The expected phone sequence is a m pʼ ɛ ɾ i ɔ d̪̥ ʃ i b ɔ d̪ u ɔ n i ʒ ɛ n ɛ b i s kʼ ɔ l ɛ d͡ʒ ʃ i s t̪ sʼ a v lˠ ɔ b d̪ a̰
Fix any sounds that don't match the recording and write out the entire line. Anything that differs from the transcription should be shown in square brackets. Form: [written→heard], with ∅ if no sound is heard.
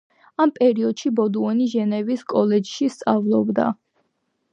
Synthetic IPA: a m pʼ ɛ ɾ i ɔ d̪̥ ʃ i b ɔ d̪ u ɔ n i ʒ ɛ n ɛ [b→v] i s kʼ ɔ l ɛ d͡ʒ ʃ i s t̪ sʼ a v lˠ ɔ b d̪ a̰